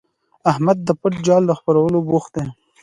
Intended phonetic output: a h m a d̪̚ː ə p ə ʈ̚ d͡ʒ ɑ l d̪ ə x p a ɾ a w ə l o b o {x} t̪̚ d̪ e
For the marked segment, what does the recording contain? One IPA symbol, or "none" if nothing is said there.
x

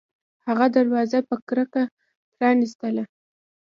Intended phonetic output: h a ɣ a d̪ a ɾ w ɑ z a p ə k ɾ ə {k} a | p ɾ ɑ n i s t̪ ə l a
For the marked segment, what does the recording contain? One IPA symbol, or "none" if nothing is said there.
k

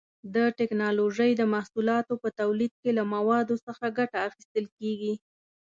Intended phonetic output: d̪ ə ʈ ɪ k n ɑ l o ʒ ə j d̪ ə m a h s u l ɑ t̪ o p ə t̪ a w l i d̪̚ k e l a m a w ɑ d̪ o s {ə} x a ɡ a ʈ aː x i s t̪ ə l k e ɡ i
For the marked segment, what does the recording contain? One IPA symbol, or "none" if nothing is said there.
ə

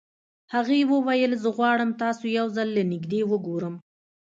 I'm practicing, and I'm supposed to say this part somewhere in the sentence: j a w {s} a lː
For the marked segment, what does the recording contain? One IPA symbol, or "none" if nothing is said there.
z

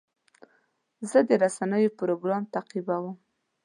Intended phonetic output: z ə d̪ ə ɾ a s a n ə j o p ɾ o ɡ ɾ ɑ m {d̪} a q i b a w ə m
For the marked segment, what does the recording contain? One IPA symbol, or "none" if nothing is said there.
t̪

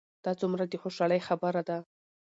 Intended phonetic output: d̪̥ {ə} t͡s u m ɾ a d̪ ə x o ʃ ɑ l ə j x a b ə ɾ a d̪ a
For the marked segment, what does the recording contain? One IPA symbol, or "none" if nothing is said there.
ɑ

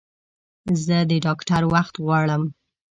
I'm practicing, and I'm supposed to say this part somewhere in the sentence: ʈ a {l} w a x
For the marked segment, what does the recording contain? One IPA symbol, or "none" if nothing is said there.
ɾ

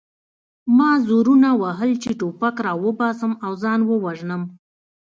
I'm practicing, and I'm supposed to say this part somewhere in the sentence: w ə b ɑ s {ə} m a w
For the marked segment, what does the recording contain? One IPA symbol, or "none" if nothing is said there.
ə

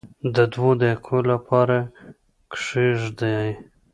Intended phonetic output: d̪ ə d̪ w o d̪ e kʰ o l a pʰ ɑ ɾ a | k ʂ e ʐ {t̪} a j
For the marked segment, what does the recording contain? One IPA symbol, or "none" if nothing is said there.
d̪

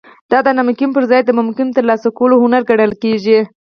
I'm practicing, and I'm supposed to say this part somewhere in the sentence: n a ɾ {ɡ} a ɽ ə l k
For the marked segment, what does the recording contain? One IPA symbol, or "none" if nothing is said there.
ɡ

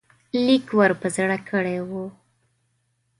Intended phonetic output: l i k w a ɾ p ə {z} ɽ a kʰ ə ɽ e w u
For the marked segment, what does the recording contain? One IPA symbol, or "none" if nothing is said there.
z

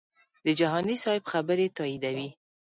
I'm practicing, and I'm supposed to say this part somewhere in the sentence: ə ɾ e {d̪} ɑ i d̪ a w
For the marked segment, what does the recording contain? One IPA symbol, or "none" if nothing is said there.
t̪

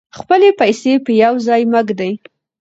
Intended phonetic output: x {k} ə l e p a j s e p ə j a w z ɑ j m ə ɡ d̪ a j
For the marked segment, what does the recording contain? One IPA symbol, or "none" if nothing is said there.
p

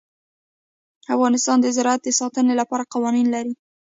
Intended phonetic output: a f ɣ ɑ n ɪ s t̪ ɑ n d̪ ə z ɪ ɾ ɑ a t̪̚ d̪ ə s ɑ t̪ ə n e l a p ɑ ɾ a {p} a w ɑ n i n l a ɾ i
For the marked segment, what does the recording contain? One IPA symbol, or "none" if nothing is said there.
q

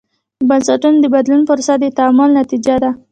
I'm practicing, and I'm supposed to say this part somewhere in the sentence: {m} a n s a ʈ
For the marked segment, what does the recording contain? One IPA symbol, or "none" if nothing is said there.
b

